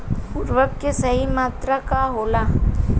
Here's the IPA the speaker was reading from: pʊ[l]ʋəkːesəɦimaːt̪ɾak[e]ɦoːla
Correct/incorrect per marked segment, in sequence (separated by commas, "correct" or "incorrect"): incorrect, incorrect